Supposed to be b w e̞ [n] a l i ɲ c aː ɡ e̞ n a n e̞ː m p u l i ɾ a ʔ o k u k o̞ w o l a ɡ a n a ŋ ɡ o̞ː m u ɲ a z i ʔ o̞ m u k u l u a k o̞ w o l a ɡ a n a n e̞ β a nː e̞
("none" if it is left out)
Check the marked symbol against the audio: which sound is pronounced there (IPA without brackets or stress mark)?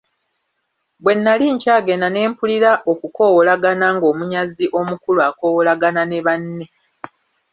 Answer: nː